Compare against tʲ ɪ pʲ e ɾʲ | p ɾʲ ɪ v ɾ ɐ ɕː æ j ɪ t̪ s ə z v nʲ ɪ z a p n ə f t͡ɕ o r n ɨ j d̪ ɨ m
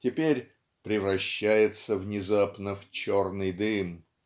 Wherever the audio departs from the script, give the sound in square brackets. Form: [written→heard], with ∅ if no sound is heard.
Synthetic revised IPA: tʲ ɪ pʲ e ɾʲ | p ɾʲ ɪ v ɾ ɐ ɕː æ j ɪ t̪ s ə [z→∅] v nʲ ɪ z a p n ə f t͡ɕ o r n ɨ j d̪ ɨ m

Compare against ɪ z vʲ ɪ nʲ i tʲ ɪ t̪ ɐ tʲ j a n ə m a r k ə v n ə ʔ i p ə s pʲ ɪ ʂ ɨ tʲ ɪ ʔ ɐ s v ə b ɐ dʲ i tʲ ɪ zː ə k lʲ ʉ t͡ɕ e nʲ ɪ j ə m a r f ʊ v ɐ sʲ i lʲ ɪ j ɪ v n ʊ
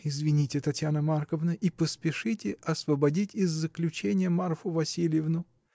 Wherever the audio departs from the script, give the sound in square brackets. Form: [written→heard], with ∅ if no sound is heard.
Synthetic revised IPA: ɪ z vʲ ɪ nʲ i tʲ ɪ t̪ ɐ tʲ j a n ə m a r k ə v n ə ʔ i p ə s pʲ ɪ ʂ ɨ tʲ ɪ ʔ ɐ s v ə b ɐ dʲ i tʲ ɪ zː ə k lʲ ʉ t͡ɕ e nʲ ɪ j ə m a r f ʊ v ɐ sʲ i lʲ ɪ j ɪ v n ʊ

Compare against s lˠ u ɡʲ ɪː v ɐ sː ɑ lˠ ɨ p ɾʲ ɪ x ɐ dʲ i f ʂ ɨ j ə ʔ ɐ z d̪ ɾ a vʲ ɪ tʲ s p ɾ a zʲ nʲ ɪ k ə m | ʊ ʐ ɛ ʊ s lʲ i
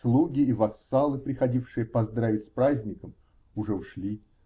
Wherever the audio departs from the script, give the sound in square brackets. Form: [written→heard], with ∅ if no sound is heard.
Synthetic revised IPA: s lˠ u ɡʲ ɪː v ɐ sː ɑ lˠ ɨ p ɾʲ ɪ x ɐ dʲ i f ʂ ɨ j ə [ʔ→p] ɐ z d̪ ɾ a vʲ ɪ tʲ s p ɾ a zʲ nʲ ɪ k ə m | ʊ ʐ ɛ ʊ [s→ʂ] lʲ i

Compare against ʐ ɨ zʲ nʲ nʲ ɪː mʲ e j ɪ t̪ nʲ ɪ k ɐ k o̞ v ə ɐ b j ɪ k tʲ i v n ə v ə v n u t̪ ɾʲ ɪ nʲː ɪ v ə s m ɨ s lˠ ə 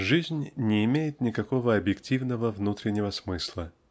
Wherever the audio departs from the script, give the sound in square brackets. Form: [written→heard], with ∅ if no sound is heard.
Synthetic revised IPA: ʐ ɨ zʲ nʲ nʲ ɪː mʲ e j ɪ t̪ nʲ ɪ k ɐ k o̞ v ə ɐ b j ɪ k tʲ i v n ə v ə v n u t̪ ɾʲ ɪ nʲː ɪ v ə s m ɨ s lˠ ə

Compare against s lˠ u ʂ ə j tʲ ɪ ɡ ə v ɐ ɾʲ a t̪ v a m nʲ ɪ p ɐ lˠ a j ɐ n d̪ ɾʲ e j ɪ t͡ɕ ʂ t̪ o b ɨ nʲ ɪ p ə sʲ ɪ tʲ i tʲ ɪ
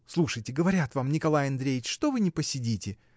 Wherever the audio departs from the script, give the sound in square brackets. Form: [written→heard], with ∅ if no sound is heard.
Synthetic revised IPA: s lˠ u ʂ ə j tʲ ɪ ɡ ə v ɐ ɾʲ a t̪ v a m nʲ ɪ [p→k] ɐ lˠ a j ɐ n d̪ ɾʲ e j ɪ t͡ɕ ʂ t̪ o [b→v] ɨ nʲ ɪ p ə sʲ ɪ [tʲ→dʲ] i tʲ ɪ

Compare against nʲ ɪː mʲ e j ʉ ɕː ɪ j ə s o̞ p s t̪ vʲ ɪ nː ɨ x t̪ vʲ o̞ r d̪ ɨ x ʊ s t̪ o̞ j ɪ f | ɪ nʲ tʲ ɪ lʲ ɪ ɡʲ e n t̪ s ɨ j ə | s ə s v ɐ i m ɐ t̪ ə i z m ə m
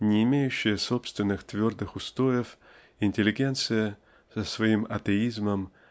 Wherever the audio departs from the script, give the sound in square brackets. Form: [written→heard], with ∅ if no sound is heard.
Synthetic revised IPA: nʲ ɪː mʲ e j ʉ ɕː ɪ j ə s o̞ p s t̪ vʲ ɪ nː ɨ x t̪ vʲ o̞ r d̪ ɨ x ʊ s t̪ o̞ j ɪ f | ɪ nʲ tʲ ɪ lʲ ɪ ɡʲ e n t̪ s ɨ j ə | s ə s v ɐ i m ɐ t̪ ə i z m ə m

